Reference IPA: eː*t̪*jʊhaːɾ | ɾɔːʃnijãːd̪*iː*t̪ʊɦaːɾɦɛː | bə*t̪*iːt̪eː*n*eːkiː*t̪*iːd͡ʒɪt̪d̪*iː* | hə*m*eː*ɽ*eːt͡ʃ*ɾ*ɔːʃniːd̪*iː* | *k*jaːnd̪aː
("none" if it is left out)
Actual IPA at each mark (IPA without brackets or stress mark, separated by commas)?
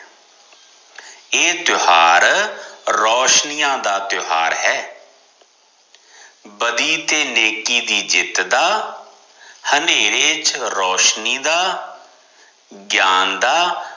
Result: t̪, aː, d̪, n, d̪, aː, n, ɾ, ɾ, aː, ɡ